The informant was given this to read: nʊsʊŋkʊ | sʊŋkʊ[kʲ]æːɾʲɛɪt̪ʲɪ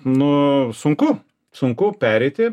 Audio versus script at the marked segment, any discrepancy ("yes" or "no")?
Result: yes